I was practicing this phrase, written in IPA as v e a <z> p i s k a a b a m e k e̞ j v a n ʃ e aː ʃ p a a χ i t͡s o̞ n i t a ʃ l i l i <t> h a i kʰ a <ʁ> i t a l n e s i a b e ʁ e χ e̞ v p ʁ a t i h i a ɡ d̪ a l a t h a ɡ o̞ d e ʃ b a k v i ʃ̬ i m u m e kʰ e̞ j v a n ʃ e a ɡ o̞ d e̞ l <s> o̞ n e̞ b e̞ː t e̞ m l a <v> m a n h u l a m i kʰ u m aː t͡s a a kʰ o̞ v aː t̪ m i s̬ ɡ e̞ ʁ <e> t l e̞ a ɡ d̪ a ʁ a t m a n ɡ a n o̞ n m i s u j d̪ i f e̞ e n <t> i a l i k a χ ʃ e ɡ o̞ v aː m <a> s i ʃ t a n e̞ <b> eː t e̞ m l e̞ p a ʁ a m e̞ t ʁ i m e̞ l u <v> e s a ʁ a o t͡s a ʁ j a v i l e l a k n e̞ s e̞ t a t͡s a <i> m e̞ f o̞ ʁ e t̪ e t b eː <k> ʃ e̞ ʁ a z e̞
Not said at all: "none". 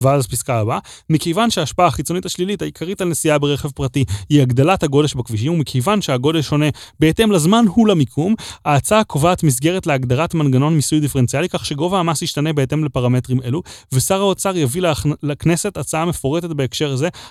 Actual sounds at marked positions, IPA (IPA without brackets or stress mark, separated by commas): z, t, ʁ, ʃ, z, e, t͡s, a, b, v, a, k